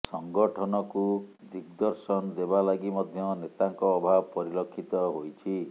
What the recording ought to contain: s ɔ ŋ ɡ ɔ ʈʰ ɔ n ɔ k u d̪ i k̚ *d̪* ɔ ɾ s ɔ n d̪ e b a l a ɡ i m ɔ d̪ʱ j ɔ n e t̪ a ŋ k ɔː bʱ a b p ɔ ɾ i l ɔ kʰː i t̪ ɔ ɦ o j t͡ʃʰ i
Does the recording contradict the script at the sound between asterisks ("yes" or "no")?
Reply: no